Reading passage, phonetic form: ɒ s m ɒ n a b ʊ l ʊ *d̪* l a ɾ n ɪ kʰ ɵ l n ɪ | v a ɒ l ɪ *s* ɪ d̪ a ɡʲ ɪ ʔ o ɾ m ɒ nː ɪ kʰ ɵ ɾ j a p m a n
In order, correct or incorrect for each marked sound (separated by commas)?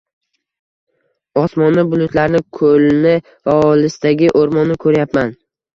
incorrect, correct